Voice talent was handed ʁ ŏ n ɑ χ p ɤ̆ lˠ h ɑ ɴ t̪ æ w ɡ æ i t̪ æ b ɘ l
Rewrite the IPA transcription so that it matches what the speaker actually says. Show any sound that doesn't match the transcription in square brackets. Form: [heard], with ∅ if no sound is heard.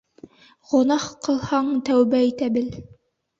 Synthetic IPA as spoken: ʁ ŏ n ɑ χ [q] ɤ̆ lˠ h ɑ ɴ t̪ æ w [b] æ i t̪ æ b ɘ l